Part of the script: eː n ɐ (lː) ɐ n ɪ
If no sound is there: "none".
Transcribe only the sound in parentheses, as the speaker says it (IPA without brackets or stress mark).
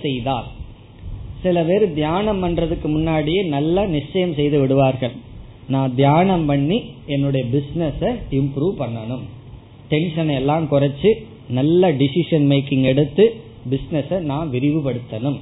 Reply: lː